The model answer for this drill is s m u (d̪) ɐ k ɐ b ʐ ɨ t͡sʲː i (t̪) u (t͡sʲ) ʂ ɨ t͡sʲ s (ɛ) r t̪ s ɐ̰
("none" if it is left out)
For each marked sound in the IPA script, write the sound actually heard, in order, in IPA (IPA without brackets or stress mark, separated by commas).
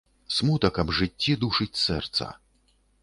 t̪, d̪, none, ɛ